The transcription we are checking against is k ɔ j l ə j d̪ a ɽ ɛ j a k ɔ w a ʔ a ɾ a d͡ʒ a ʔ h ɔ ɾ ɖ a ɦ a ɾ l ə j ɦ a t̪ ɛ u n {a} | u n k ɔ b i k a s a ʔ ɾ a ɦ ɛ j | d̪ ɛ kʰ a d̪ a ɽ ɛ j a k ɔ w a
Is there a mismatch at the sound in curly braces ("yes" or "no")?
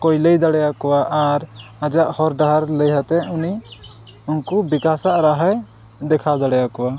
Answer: yes